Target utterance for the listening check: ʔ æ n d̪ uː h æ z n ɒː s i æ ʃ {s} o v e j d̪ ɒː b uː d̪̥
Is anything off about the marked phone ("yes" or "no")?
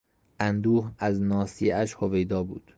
yes